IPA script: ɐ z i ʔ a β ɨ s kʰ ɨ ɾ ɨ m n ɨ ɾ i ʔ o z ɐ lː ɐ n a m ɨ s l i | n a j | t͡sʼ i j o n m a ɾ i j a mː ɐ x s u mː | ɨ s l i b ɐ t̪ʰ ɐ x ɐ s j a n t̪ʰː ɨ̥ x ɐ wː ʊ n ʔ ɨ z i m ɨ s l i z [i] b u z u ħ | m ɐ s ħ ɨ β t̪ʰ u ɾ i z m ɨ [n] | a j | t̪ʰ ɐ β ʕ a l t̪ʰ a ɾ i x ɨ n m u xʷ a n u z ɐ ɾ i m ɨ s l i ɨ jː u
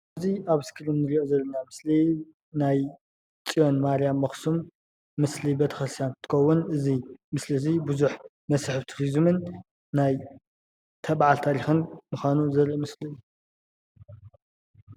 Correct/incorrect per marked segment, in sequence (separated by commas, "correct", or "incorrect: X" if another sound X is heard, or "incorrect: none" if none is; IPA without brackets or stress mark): correct, incorrect: nː